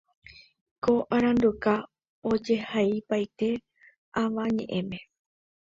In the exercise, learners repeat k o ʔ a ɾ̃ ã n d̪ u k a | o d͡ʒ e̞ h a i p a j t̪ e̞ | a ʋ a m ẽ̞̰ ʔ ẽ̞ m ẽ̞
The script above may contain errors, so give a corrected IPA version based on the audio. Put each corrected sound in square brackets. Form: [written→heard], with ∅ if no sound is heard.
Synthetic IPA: k o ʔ a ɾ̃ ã n d̪ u k a | o d͡ʒ e̞ h a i p a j t̪ e̞ | a ʋ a [m→ɲ] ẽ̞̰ ʔ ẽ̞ m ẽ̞